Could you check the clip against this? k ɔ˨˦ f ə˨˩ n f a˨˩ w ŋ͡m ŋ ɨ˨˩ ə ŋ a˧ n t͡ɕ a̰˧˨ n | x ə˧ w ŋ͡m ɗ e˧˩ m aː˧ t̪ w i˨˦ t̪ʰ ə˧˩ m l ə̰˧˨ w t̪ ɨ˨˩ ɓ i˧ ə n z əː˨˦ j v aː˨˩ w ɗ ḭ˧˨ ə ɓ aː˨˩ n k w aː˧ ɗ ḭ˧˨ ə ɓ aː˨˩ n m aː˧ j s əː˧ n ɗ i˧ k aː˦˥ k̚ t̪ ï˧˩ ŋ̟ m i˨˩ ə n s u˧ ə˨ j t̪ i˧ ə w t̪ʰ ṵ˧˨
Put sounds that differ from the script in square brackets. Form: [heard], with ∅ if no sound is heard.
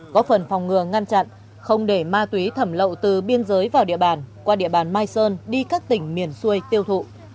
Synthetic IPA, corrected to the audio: k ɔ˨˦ f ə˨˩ n f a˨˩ w ŋ͡m ŋ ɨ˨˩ ə ŋ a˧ n t͡ɕ a̰˧˨ n | x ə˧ w ŋ͡m ɗ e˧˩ m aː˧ t̪ w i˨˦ t̪ʰ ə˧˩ m l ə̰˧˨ w t̪ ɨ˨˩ ɓ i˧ ə n z əː˨˦ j v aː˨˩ w ɗ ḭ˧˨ ə ɓ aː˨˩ n k w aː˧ ɗ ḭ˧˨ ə ɓ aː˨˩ n m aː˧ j s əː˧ n ɗ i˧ k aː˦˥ k̚ t̪ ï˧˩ ŋ̟ m i˨˩ ə n s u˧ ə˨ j t̪ i˧ ə w t̪ʰ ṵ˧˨